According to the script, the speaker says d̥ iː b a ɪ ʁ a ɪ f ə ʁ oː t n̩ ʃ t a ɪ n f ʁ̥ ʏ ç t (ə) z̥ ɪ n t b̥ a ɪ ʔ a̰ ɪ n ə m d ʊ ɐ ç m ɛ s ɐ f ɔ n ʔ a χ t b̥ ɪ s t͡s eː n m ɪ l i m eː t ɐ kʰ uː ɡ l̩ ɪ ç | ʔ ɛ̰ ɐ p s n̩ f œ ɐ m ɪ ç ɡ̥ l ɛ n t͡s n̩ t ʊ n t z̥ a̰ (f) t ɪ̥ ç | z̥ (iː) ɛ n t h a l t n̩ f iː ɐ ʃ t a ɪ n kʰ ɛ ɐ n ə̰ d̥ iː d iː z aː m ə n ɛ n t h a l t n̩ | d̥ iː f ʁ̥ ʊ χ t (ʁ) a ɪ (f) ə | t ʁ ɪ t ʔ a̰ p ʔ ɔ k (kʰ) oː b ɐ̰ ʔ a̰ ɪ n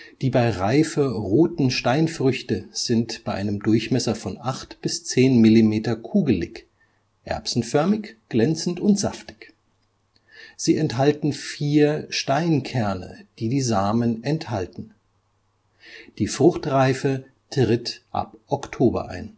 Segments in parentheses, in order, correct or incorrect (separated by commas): correct, correct, correct, correct, correct, incorrect